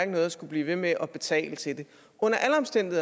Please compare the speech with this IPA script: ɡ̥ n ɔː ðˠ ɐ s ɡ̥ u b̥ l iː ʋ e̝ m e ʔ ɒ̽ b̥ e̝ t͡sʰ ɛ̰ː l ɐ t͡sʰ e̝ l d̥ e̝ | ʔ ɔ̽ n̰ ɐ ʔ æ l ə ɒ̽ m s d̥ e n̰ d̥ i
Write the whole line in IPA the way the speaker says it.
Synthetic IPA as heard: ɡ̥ n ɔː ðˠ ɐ s ɡ̥ u b̥ l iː ʋ e̝ m e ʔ ɒ̽ b̥ e̝ t͡sʰ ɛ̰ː l ə t͡sʰ e̝ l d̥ e̝ | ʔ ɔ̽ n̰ ɐ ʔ æ l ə ɒ̽ m s d̥ e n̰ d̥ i